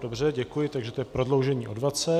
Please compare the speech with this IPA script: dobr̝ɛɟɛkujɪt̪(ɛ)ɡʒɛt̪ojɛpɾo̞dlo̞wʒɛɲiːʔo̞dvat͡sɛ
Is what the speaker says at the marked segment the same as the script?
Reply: no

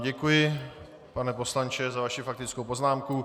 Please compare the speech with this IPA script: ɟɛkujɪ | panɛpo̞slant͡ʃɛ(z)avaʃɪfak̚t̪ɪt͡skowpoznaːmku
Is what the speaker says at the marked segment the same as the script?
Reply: yes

